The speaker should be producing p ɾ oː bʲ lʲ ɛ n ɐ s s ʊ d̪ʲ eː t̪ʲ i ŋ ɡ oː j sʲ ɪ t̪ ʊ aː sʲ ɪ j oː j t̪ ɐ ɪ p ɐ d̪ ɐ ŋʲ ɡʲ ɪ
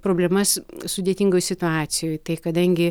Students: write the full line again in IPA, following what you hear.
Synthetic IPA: p ɾ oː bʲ lʲ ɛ m ɐ s s ʊ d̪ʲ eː t̪ʲ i ŋ ɡ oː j sʲ ɪ t̪ ʊ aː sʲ ɪ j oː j t̪ ɐ ɪ k ɐ d̪ ɐ ŋʲ ɡʲ ɪ